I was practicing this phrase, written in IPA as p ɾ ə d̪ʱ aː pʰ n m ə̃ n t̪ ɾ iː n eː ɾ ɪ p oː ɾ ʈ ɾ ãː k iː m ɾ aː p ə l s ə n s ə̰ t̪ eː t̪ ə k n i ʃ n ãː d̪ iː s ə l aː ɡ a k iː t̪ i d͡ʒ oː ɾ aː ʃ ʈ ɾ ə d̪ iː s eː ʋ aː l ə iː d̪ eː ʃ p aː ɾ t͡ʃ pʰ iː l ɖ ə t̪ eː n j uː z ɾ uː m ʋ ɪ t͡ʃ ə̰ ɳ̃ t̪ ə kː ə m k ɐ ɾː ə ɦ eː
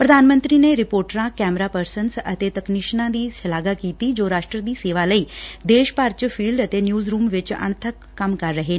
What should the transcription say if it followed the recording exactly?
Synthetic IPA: p ɾ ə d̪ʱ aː n m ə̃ n t̪ ɾ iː n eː ɾ ɪ p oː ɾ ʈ ɾ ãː k ɛː m ɾ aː p ə ɾ s ə n s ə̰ t̪ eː t̪ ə k n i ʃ n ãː d̪ iː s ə l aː ɡ a k iː t̪ i d͡ʒ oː ɾ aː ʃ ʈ ɾ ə d̪ iː s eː ʋ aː l ə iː d̪ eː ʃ p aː ɾ t͡ʃ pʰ iː l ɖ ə t̪ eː n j uː z ɾ uː m ʋ ɪ t͡ʃ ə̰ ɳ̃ t̪ʰ ə kː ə m k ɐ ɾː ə ɦ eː

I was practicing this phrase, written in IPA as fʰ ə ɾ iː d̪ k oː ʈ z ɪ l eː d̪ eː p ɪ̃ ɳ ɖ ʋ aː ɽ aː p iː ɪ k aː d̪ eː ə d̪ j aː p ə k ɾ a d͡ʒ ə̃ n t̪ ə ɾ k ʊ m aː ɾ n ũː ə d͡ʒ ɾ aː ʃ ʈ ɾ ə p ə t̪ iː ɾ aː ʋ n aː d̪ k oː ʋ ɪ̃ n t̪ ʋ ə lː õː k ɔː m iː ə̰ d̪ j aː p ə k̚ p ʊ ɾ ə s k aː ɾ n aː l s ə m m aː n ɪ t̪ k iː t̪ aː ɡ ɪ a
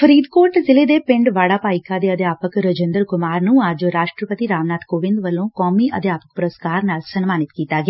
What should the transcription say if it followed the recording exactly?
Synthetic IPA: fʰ ə ɾ iː d̪ k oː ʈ z ɪ l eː d̪ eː p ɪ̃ ɳ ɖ ʋ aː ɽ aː p aː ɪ k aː d̪ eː ə d̪ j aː p ə k ɾ ə d͡ʒ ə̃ n d̪ ə ɾ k ʊ m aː ɾ n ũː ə d͡ʒ ɾ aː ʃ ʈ ɾ ə p ə t̪ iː ɾ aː ʋ n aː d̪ k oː ʋ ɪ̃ n d̪ ʋ ə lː õː k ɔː m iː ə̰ d̪ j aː p ə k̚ p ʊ ɾ ə s k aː ɾ n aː l s ə n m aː n ɪ t̪ k iː t̪ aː ɡ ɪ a

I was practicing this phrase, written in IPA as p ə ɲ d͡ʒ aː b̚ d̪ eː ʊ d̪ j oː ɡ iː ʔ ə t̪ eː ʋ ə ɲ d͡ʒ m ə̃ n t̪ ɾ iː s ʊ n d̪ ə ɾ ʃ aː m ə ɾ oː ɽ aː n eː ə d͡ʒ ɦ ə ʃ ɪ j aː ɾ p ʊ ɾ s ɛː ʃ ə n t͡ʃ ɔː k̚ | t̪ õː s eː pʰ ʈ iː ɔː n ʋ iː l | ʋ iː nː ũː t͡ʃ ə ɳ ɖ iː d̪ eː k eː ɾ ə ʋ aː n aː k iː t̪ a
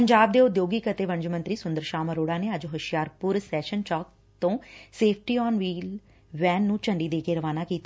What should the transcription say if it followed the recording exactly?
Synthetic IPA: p ə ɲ d͡ʒ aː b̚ d̪ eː ʊ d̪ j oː ɡ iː k ə t̪ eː ʋ ə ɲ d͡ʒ m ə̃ n t̪ ɾ iː s ʊ n d̪ ə ɾ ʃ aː m ə ɾ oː ɽ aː n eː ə d͡ʒ ɦ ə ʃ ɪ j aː ɾ p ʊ ɾ s ɛː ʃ ə n t͡ʃ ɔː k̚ | t̪ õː s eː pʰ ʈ iː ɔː n ʋ iː l | ʋ ɛː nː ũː t͡ʃ ə ɳ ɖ iː d̪ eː k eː ɾ ə ʋ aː n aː k iː t̪ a

